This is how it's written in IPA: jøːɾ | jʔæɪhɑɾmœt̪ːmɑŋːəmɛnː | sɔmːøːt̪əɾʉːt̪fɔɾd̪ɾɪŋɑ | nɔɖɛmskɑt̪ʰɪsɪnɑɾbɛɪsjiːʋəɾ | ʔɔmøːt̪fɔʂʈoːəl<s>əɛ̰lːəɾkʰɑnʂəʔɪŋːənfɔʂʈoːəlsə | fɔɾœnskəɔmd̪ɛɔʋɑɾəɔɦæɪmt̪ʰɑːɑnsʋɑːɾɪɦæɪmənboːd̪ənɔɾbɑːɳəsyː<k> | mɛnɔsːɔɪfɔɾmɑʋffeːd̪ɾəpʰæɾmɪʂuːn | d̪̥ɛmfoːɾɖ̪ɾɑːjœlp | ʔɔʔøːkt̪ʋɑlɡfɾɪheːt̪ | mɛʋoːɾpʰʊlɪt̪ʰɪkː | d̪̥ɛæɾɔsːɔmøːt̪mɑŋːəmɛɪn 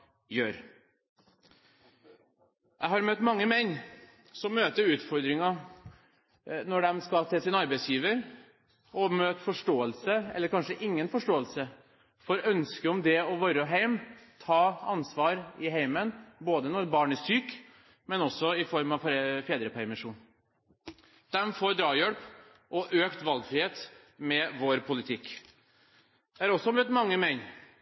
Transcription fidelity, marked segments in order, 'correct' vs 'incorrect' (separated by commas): correct, correct